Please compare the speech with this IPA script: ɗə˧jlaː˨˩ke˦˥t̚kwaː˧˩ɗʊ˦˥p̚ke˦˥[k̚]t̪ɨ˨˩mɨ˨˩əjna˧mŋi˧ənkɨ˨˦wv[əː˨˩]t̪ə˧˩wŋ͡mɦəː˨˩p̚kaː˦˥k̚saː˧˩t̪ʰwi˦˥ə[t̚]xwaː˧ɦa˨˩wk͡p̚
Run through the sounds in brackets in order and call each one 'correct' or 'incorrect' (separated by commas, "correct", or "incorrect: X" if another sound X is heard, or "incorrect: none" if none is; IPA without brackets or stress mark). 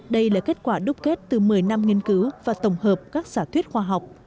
incorrect: t̚, incorrect: aː˨˩, correct